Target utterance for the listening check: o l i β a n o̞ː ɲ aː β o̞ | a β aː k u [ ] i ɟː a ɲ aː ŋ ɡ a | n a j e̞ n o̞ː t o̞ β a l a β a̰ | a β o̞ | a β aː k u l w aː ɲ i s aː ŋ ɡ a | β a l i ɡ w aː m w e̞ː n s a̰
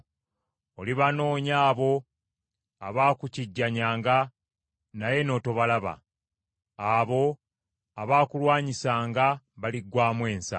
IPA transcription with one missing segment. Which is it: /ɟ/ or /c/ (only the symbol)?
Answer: c